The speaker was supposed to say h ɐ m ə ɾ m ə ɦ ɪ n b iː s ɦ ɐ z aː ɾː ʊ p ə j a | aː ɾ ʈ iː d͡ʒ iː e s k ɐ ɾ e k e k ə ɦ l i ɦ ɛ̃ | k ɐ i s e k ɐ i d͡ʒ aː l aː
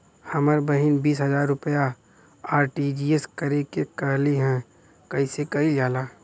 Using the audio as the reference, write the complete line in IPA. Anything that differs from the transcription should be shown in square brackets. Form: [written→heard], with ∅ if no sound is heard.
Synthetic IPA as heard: h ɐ m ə ɾ [m→b] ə ɦ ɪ n b iː s ɦ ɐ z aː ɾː ʊ p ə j a | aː ɾ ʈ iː d͡ʒ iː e s k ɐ ɾ e k e k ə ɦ l i ɦ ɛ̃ | k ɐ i s e k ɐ i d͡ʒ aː l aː

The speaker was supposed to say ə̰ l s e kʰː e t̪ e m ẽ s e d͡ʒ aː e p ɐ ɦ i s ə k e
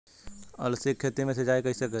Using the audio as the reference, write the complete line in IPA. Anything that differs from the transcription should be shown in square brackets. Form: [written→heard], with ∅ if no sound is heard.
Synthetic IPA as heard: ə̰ l s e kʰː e t̪ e m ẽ s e d͡ʒ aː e [p→k] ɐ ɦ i s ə k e

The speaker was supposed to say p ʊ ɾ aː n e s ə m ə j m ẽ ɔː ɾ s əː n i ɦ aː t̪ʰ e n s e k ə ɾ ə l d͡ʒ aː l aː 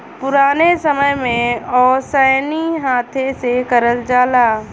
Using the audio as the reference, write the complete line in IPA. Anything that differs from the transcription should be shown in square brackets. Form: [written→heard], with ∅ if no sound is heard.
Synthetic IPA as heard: p ʊ ɾ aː n e s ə m ə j m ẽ ɔː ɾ s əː n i ɦ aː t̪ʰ e [n→∅] s e k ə ɾ ə l d͡ʒ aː l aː

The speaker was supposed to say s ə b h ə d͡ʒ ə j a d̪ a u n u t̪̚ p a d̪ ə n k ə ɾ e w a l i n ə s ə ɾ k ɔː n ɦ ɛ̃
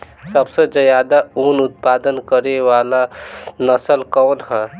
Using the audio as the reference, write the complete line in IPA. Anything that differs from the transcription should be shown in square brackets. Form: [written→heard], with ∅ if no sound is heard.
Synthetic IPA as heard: s ə b [h→s] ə d͡ʒ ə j a d̪ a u n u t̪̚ p a d̪ ə n k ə ɾ e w a l [i→a] n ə s ə [ɾ→l] k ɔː n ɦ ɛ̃

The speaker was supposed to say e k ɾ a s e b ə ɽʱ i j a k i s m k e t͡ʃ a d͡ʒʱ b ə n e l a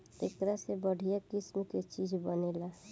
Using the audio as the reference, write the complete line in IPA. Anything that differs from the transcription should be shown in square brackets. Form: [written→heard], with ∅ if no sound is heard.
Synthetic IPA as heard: e k ɾ a s e b ə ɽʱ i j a k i s m k e t͡ʃ [a→i] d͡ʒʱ b ə n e l a

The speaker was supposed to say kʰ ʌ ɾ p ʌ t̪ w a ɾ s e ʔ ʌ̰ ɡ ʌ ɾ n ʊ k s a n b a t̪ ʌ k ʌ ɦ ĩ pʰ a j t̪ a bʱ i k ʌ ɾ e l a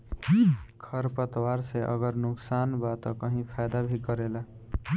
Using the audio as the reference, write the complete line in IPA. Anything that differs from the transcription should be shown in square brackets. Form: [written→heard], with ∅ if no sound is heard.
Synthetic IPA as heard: kʰ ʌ ɾ p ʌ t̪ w a ɾ s e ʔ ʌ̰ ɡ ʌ ɾ n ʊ k s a n b a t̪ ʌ k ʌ ɦ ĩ pʰ a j [t̪→d̪] a bʱ i k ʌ ɾ e l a

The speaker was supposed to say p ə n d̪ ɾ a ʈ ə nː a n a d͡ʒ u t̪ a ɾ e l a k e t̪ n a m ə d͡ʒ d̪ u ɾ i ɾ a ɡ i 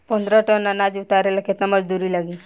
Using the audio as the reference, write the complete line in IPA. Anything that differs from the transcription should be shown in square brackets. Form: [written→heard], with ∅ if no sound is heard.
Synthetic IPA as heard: p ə n d̪ ɾ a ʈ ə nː a n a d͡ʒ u t̪ a ɾ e l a k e t̪ n a m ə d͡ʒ d̪ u ɾ i [ɾ→l] a ɡ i

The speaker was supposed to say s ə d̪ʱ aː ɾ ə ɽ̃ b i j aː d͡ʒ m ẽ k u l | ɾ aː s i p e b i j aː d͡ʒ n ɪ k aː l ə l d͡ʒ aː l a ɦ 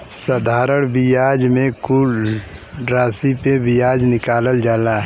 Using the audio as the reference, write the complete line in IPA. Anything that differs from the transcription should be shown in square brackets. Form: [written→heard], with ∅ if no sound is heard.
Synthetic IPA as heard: s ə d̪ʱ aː ɾ ə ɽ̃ b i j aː d͡ʒ m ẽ k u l | ɾ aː s i p e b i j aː d͡ʒ n ɪ k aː l ə l d͡ʒ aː l a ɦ

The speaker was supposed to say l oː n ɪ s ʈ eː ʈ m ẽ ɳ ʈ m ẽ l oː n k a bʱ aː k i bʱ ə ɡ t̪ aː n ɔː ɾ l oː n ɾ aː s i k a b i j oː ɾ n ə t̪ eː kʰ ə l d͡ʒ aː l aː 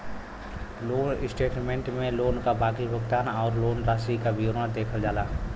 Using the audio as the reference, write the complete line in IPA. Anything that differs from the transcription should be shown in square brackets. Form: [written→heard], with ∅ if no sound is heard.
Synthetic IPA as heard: l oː n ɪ s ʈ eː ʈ m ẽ ɳ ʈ m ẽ l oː n k a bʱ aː k i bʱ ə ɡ t̪ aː n ɔː ɾ l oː n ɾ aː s i k a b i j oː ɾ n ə [t̪→d̪] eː kʰ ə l d͡ʒ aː l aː

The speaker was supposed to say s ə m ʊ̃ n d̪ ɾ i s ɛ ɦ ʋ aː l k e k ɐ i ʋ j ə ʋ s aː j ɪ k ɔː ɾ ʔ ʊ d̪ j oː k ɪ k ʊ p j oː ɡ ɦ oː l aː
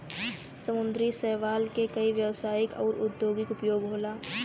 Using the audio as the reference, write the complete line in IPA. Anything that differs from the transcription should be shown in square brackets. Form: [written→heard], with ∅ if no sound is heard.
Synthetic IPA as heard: s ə m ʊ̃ n d̪ ɾ i s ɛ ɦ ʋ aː l k e k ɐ i ʋ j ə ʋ s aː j ɪ k ɔː ɾ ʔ ʊ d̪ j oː [k→ɡ] ɪ k ʊ p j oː ɡ ɦ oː l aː

